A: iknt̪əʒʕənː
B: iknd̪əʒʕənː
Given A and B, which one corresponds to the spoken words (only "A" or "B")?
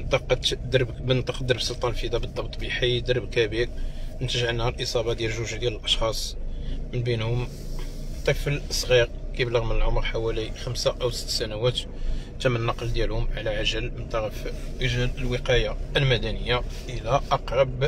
A